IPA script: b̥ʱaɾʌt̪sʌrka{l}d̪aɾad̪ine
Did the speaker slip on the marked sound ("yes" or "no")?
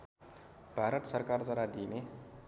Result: yes